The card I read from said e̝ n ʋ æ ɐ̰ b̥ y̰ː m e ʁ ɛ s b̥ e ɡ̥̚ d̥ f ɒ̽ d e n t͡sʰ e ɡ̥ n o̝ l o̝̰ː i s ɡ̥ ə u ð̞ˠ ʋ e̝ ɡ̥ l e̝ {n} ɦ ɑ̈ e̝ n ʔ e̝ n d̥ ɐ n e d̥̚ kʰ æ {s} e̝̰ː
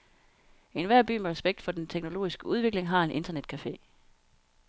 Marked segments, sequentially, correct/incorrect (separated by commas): incorrect, incorrect